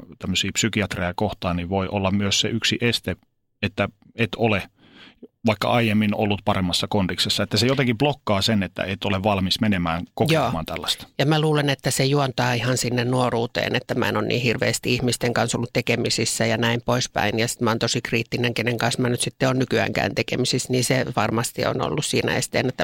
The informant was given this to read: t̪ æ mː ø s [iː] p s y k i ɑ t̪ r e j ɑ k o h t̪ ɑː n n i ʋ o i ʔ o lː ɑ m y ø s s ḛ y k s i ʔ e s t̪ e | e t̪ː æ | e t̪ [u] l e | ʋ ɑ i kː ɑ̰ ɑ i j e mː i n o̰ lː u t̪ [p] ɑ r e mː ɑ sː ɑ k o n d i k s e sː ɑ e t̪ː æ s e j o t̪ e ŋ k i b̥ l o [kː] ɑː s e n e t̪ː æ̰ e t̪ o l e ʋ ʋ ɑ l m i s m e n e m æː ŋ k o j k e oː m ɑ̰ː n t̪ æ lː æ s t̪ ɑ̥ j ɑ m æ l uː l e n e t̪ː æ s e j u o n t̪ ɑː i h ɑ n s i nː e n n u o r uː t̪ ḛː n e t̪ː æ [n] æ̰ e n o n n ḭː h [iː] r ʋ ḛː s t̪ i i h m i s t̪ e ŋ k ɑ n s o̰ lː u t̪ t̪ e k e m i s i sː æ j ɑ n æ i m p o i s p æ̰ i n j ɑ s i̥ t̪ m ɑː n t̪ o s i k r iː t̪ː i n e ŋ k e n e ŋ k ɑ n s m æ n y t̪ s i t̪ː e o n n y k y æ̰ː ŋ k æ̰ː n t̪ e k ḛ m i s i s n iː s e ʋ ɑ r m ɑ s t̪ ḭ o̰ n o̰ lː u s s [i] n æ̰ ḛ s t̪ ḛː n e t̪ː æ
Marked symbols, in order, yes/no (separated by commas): yes, no, yes, yes, no, no, no